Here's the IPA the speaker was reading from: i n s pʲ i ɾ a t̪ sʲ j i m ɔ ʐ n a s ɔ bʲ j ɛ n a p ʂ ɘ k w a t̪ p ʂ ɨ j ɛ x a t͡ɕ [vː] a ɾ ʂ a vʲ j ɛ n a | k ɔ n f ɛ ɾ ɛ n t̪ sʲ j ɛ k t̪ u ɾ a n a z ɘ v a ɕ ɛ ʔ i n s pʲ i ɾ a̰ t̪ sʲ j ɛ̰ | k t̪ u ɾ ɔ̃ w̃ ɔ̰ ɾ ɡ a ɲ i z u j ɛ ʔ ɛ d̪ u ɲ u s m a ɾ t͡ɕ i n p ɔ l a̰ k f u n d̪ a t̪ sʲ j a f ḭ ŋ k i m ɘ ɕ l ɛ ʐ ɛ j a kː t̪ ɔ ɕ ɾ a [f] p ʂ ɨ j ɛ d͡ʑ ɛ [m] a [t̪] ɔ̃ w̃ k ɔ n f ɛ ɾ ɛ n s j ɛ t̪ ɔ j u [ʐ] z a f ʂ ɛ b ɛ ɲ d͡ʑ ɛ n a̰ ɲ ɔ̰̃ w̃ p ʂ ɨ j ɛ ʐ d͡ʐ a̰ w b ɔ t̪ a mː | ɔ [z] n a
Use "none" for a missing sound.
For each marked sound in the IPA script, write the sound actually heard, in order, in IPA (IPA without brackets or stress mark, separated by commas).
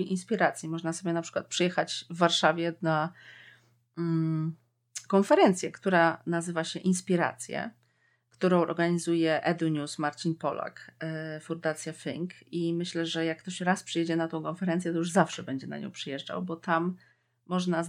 vː, s, n, t̪, ʐ, ʐ